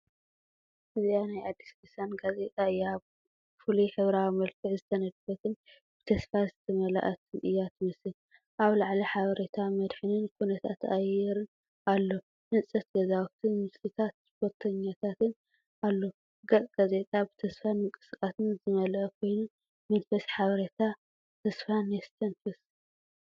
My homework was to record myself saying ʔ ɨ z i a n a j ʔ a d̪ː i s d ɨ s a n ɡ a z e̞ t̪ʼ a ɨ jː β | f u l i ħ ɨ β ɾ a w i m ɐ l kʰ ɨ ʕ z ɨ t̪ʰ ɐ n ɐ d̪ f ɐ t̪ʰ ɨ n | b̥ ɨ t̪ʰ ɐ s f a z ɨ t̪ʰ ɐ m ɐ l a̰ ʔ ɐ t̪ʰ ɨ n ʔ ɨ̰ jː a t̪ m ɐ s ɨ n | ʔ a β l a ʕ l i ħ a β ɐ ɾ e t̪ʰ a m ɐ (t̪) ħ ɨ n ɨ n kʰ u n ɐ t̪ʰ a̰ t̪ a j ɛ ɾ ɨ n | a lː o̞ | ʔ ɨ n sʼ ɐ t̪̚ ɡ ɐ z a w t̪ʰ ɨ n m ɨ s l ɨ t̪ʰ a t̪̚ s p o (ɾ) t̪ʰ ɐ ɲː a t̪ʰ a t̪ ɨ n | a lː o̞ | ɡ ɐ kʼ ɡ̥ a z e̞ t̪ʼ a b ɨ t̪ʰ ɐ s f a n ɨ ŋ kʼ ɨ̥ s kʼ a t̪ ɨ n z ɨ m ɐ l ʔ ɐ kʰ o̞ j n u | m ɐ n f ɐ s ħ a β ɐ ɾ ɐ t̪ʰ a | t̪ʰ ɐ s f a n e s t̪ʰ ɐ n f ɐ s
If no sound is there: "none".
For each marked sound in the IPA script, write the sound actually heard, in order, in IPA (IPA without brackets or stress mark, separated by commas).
d̪, ɾ